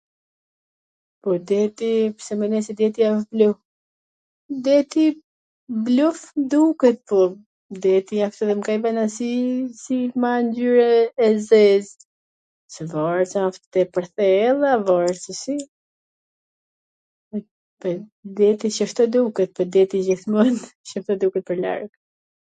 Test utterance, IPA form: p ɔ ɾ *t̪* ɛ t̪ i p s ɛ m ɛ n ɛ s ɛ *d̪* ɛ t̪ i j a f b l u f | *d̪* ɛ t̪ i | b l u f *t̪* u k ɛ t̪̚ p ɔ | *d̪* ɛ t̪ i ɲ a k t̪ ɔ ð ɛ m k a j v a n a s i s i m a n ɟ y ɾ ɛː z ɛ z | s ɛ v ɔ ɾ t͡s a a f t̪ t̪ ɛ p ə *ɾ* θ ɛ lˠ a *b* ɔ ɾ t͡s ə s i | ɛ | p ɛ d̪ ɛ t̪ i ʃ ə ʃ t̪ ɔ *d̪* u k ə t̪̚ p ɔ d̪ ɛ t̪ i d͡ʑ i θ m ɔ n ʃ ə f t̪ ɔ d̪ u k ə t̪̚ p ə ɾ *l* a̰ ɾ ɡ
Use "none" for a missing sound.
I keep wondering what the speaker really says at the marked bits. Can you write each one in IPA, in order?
d̪, d̪, d̪, d̪, d̪, ɾ, v, d̪, l

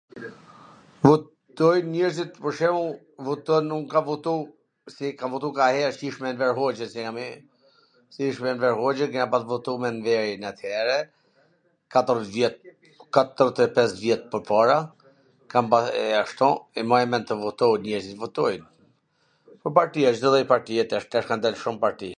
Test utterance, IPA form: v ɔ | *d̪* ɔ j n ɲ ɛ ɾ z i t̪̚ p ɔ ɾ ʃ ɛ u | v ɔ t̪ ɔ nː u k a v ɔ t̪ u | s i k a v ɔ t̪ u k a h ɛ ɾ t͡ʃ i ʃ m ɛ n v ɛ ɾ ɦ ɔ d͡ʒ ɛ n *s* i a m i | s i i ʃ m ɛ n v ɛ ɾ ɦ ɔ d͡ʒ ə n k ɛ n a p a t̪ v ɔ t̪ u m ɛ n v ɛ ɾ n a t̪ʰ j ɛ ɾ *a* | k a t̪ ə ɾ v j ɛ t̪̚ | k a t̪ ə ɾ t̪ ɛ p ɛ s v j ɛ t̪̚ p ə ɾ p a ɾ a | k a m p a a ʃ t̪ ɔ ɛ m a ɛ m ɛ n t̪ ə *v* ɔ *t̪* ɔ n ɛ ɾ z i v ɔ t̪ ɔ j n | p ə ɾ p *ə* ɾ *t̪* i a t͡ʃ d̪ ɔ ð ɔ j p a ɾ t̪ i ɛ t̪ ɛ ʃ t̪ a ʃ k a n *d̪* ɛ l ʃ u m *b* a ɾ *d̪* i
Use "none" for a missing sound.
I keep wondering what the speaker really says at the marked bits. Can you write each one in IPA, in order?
t̪, s, ɛ, v, t̪, a, t̪, d̪, p, t̪

